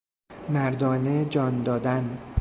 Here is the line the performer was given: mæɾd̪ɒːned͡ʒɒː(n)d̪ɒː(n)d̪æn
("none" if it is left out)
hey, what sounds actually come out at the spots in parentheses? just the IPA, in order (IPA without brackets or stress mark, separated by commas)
n, none